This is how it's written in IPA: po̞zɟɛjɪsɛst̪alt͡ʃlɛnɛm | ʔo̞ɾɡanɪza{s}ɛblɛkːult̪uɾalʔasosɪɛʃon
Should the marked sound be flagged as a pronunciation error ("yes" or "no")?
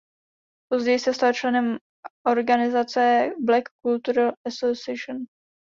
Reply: yes